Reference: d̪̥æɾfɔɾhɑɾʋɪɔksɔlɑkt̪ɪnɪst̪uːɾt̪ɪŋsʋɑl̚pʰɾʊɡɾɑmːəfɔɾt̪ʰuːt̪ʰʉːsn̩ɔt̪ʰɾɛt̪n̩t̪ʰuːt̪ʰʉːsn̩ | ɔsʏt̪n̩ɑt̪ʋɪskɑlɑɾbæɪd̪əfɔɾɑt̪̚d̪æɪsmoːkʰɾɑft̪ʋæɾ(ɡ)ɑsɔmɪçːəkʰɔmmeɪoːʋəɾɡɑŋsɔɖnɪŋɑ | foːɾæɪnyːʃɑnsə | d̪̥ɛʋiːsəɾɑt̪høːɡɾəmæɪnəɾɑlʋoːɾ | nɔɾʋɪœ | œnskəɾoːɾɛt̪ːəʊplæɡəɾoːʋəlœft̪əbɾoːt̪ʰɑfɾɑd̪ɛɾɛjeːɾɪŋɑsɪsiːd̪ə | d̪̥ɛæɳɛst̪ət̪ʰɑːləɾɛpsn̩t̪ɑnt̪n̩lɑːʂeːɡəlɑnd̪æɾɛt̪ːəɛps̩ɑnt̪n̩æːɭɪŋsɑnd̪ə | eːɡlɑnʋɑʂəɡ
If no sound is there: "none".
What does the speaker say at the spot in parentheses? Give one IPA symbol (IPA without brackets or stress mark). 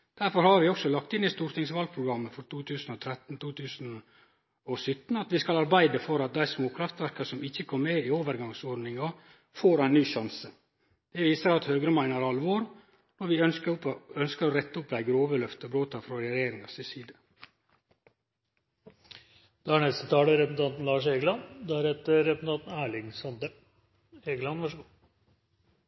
k